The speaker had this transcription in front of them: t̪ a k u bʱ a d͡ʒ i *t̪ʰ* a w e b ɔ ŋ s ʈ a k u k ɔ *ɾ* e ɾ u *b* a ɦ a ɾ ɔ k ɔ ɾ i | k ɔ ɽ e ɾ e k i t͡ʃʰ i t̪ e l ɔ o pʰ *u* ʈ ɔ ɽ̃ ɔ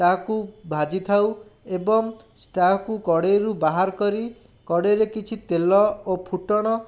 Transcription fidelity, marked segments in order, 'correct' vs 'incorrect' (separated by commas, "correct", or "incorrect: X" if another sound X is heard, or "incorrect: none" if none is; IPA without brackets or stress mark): correct, incorrect: ɽ, correct, correct